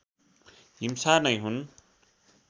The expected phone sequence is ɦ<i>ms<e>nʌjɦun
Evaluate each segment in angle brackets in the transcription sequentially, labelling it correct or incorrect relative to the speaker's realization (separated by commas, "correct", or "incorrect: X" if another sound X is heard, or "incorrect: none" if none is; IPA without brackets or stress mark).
correct, incorrect: a